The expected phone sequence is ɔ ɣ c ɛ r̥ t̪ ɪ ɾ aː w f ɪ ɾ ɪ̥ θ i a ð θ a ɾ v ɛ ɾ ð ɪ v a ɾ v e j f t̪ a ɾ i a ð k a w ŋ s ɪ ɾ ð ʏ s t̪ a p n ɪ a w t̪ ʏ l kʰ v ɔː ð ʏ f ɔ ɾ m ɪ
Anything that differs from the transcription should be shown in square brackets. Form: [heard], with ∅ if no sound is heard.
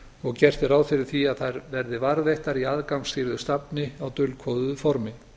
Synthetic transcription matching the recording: ɔ ɣ c ɛ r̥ t̪ ɪ ɾ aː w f ɪ ɾ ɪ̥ θ i a ð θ a ɾ v ɛ ɾ ð ɪ v a ɾ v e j [h] t̪ a ɾ i a ð k a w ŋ s ɪ ɾ ð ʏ s t̪ a p n ɪ a w t̪ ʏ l kʰ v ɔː ð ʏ f ɔ ɾ m ɪ